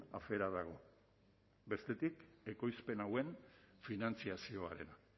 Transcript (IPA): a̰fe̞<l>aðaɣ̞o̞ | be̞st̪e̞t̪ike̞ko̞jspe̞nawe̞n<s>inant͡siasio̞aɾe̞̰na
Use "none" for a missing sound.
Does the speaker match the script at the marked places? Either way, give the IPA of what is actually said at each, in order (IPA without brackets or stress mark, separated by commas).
ɾ, f